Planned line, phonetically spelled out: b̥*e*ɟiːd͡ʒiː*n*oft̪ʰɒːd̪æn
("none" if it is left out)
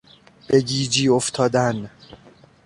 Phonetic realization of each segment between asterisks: e, none

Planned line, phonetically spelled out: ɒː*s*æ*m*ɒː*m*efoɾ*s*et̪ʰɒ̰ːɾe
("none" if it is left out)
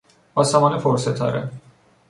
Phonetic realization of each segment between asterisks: s, m, n, s

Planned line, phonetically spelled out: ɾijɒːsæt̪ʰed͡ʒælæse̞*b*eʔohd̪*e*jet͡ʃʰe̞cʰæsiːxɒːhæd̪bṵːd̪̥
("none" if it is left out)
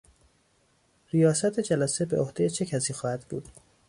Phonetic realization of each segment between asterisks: b, e

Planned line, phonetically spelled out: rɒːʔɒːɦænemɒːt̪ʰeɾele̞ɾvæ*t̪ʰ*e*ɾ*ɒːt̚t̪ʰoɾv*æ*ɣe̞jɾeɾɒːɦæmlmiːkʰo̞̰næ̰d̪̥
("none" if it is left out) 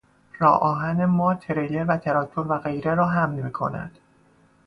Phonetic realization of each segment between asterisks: t̪ʰ, ɾ, æ

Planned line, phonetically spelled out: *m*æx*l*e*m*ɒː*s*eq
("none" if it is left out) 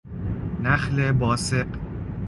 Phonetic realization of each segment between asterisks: n, l, b, s

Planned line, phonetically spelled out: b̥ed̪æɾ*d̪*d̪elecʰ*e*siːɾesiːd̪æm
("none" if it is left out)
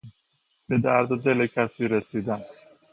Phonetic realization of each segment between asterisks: d̪, æ

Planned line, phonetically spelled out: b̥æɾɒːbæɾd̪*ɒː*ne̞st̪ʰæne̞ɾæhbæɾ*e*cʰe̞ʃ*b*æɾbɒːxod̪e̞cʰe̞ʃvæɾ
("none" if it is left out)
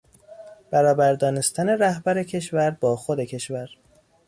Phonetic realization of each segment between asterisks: ɒː, e, v

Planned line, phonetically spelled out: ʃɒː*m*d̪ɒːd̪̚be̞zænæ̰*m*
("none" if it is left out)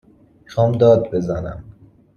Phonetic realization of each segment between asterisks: m, m

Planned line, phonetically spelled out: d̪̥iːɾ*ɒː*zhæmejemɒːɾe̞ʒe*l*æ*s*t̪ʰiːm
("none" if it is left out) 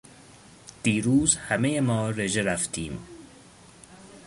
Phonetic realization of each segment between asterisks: uː, ɾ, f

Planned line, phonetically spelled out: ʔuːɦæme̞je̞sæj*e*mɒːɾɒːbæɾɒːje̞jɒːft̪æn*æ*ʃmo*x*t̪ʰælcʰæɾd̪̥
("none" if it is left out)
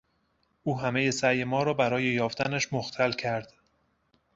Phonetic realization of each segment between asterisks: e, æ, x

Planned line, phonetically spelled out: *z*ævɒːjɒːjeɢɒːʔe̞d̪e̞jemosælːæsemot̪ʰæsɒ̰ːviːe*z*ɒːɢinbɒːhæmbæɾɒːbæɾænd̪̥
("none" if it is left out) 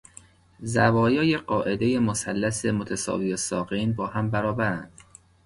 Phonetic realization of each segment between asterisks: z, s

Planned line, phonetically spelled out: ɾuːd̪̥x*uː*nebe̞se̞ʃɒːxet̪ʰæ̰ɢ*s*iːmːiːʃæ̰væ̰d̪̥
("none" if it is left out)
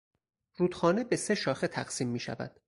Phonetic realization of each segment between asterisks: ɒː, s

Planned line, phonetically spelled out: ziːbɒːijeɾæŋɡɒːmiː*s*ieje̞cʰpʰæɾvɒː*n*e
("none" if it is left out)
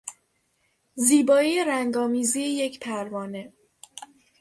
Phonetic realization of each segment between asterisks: z, n

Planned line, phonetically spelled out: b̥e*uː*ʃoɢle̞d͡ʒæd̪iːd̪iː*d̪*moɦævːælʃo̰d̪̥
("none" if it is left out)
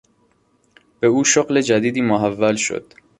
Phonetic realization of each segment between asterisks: uː, none

